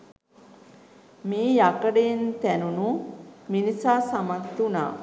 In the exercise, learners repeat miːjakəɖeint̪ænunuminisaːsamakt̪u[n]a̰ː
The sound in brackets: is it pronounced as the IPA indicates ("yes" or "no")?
yes